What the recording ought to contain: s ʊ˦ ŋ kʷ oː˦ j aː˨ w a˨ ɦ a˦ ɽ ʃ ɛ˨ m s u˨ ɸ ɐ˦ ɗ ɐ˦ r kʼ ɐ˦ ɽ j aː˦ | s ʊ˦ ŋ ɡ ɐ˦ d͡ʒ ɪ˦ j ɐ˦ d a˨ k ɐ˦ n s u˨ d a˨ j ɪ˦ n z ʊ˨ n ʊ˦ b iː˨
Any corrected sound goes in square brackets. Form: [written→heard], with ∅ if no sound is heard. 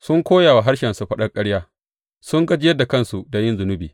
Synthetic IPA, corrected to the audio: s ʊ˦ ŋ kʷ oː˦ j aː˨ w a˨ ɦ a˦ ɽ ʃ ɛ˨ [m→n] s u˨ ɸ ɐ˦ ɗ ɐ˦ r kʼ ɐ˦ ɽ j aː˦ | s ʊ˦ ŋ ɡ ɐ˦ d͡ʒ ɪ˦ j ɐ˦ d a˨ k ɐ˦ n s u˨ d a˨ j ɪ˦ n z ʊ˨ n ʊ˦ b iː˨